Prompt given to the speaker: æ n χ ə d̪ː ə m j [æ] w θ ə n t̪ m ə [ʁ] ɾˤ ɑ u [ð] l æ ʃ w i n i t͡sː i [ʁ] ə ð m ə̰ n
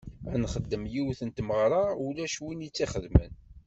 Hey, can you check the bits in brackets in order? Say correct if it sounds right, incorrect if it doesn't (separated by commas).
incorrect, correct, incorrect, incorrect